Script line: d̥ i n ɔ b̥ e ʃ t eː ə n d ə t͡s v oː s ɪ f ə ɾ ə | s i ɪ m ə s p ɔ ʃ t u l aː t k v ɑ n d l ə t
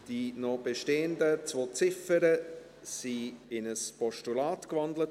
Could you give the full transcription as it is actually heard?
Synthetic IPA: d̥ i n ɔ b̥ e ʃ t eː ə n d ə t͡s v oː t͡s ɪ f ə ɾ ə | s i ɪ n ə s p ɔ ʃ t u l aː t k v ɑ n d l ə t

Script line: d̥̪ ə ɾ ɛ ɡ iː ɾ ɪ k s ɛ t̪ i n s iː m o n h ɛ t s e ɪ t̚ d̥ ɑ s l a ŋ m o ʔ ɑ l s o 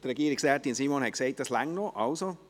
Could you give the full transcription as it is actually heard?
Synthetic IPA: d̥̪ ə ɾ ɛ ɡ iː ɾ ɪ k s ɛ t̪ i n s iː m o n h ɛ k s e ɪ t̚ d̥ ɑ s l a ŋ n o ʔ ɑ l s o

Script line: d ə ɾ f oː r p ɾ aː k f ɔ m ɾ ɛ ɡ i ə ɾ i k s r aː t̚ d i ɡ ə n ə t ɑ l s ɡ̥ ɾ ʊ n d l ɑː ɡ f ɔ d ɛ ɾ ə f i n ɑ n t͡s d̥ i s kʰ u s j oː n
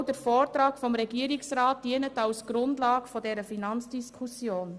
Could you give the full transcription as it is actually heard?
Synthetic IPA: d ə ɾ f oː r t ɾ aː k f ɔ m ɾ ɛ ɡ i ə ɾ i k s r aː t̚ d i ə n ə t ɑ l s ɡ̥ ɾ ʊ n d l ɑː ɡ f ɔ d ɛ ɾ ə f i n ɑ n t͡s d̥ i s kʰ u s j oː n

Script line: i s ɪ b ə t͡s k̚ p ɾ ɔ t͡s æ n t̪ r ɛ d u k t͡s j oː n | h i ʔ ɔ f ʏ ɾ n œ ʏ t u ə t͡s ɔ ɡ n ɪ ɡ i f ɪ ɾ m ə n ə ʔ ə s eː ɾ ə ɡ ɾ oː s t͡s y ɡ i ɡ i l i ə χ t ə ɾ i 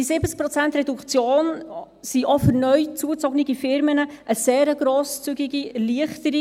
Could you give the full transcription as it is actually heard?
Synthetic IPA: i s ɪ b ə t͡s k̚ p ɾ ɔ t͡s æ n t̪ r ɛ d u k t͡s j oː n | s i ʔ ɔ f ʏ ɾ n œ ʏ t͡s u ə t͡s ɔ ɡ n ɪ ɡ i f ɪ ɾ m ə n ə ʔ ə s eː ɾ ə ɡ ɾ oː s t͡s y ɡ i ɡ i l i ə χ t ə ɾ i

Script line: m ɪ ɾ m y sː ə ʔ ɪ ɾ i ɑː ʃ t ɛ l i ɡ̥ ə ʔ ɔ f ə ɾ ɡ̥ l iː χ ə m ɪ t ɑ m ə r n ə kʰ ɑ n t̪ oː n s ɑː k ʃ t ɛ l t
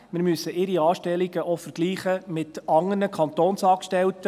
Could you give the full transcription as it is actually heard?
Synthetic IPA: m ɪ ɾ m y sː ə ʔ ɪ ɾ i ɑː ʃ t ɛ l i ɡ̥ ə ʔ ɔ f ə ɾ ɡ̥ l iː χ ə m ɪ t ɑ ŋ ə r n ə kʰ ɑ n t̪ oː n s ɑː k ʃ t ɛ l t

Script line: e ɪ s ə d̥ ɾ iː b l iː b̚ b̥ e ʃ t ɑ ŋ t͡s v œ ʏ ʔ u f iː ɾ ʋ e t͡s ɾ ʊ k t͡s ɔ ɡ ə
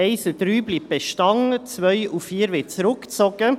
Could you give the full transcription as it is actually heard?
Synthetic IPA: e ɪ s ə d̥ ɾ yː b l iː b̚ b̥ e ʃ t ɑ ŋ t͡s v œ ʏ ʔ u f iː ɾ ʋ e t͡s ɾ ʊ k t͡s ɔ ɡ ə

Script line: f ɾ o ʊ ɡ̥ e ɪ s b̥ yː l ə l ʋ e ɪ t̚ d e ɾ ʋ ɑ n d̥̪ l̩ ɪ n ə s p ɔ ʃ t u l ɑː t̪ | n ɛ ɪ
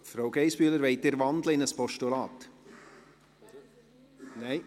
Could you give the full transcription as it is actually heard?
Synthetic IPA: f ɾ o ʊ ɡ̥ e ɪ s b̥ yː l ə ɾ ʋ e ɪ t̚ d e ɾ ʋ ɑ n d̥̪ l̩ ɪ n ə s p ɔ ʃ t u l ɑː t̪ | n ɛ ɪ

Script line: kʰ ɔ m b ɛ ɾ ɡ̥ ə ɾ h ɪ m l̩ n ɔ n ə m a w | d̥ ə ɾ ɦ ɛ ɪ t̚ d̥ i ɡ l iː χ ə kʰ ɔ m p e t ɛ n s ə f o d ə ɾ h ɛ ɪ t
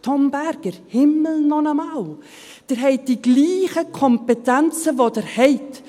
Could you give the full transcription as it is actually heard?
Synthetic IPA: tʰ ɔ m b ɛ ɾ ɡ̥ ə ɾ h ɪ m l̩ n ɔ n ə m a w | d̥ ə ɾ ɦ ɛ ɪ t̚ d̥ i ɡ l iː χ ə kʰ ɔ m p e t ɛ n t͡s ə v o d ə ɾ h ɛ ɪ t

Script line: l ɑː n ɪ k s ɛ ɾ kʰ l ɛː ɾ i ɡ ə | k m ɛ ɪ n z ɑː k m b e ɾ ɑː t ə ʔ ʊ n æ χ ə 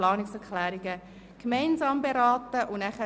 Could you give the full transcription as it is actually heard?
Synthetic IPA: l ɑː n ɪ k s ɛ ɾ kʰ l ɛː ɾ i ɡ ə | k m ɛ ɪ n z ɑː m b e ɾ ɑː t ə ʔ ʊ n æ χ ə

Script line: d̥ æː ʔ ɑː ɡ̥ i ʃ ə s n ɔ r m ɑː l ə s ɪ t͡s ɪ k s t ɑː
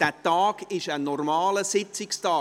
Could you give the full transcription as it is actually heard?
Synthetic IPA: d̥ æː t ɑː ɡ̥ ɪ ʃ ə n ɔ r m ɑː l ə s ɪ t͡s ɪ k s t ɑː

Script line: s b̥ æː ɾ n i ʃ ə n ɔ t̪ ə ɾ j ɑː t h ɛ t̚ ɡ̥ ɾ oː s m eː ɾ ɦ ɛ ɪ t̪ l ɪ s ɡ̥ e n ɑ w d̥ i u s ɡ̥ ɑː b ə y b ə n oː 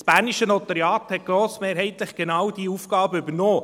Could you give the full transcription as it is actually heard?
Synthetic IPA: s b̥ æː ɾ n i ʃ ə n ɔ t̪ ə ɾ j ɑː t h ɛ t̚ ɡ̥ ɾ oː s m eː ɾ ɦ ɛ ɪ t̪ l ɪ χ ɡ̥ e n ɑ w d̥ i u f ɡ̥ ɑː b ə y b ə n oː

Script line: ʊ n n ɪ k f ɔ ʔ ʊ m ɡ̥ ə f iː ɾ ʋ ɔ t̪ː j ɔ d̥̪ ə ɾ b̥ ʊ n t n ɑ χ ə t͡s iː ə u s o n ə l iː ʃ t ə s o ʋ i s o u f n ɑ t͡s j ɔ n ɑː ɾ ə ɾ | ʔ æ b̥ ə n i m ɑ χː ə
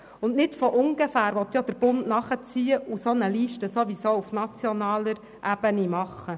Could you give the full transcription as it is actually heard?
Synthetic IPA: ʊ n n ɪ t f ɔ ʔ ʊ ŋ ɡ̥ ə f æː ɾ ʋ ɔ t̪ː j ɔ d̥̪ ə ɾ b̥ ʊ n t n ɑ χ ə t͡s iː ə u s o n ə l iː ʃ t ə s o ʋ i s o u f n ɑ t͡s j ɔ n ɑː l ə ɾ | ʔ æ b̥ ə n i m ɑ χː ə

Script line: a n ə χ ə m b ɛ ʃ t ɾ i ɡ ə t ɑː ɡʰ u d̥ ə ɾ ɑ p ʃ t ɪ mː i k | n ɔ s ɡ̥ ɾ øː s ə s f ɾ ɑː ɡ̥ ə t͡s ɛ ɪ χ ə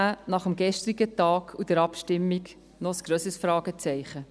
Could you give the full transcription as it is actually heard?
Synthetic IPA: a n ɑ χ ə m ɡ ɛ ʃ t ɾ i ɡ ə t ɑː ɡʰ u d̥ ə ɾ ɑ p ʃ t ɪ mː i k | n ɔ s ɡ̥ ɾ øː s ə s f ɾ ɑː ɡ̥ ə t͡s ɛ ɪ χ ə

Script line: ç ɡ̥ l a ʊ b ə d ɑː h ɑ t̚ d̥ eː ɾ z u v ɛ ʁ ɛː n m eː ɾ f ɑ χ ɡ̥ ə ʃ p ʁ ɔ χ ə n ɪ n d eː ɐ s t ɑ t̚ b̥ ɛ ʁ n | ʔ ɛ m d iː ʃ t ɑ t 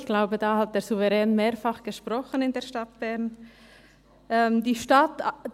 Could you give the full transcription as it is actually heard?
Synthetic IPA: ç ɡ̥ l a ʊ b ə d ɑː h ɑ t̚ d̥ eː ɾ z u v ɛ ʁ ɛː n m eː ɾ f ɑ χ ɡ̥ ə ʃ p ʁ ɔ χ ə n ɪ n d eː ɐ ʃ t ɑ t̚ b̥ ɛ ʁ n | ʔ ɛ m d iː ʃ t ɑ t

